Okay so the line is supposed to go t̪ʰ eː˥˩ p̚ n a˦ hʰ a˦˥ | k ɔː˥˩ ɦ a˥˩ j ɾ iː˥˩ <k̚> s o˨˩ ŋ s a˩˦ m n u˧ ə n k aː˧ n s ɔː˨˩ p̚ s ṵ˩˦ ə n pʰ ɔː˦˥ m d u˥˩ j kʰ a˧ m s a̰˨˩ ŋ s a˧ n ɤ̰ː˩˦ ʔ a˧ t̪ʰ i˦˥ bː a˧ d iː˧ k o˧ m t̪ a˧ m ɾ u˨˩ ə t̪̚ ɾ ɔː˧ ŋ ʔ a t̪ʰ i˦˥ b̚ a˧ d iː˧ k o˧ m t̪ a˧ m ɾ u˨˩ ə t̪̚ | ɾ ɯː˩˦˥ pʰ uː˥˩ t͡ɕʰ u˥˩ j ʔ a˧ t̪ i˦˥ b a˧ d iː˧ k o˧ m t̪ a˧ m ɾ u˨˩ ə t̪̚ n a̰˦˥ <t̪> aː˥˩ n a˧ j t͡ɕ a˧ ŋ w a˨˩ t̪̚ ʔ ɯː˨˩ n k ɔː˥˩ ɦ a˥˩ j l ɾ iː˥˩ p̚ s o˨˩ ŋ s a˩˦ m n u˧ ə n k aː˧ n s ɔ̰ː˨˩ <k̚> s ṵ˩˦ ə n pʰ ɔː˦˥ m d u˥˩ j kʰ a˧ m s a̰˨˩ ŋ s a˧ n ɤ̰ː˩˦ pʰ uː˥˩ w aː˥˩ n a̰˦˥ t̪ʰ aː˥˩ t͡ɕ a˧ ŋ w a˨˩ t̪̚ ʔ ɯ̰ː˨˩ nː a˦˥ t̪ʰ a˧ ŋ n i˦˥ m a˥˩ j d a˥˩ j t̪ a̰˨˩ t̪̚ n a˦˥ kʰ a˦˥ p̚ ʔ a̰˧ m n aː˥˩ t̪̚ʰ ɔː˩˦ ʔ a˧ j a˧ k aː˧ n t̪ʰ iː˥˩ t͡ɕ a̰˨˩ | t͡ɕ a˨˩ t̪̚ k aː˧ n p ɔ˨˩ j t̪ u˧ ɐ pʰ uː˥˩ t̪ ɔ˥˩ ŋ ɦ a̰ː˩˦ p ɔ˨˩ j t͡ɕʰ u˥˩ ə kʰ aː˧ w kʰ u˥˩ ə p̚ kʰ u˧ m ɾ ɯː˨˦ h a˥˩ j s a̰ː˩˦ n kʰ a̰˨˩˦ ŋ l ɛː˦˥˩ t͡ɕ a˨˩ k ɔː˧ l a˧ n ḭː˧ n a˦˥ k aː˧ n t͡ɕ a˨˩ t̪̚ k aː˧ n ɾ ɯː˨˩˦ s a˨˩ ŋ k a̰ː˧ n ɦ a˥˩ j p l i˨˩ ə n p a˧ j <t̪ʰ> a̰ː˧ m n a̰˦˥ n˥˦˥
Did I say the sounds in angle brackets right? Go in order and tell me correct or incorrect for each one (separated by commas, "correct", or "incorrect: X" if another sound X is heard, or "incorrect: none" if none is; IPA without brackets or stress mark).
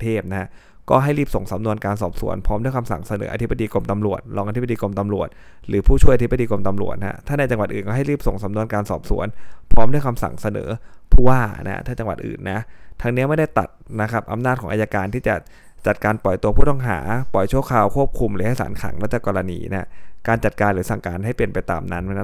incorrect: p̚, incorrect: t̪ʰ, incorrect: p̚, incorrect: t̪